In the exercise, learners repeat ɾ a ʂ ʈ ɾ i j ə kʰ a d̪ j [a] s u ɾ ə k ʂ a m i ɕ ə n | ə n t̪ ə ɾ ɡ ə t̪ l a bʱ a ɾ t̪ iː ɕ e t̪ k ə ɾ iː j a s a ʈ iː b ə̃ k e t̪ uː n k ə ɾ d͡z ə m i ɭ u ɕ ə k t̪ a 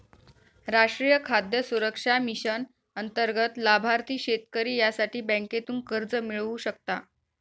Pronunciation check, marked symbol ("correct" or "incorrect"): incorrect